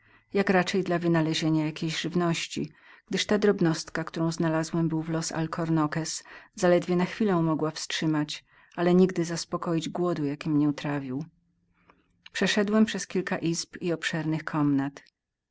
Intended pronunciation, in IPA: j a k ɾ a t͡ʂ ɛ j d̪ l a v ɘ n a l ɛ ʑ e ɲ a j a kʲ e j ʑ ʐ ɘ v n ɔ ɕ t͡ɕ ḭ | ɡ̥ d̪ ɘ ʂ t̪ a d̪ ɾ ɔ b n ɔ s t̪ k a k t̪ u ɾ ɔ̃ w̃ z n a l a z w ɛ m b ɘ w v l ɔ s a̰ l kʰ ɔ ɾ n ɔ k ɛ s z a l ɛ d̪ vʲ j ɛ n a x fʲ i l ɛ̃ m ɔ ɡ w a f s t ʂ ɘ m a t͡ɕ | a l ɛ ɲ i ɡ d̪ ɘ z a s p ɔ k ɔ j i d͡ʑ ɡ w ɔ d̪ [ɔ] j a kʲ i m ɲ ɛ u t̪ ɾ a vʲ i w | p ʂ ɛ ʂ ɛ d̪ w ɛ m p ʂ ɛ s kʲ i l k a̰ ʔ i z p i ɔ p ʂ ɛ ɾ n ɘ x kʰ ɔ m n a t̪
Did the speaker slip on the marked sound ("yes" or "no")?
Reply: yes